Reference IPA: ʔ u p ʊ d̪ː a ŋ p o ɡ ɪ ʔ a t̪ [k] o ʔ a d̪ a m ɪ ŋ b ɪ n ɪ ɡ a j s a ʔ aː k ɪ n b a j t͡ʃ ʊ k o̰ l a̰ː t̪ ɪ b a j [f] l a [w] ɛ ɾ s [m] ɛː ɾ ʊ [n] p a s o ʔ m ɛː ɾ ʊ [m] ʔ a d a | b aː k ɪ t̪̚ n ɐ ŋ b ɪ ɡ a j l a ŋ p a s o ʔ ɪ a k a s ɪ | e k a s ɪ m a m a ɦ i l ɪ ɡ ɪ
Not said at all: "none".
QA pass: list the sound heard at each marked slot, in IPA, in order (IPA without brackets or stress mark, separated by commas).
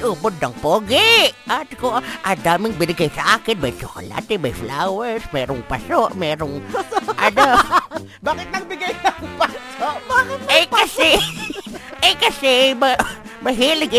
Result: k, f, w, m, ŋ, ŋ